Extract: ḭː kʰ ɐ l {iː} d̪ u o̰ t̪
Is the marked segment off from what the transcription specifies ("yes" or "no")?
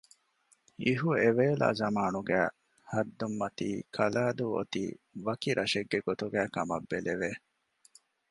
yes